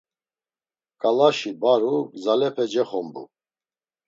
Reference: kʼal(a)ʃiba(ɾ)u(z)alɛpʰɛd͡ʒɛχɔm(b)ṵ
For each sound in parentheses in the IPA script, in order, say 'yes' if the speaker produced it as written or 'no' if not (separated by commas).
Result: yes, yes, yes, yes